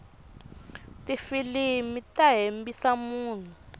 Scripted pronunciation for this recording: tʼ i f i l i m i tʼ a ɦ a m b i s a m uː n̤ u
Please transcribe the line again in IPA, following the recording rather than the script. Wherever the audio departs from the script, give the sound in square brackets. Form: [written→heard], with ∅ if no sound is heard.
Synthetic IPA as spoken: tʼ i f i l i m i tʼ a ɦ [a→e] m b i s a m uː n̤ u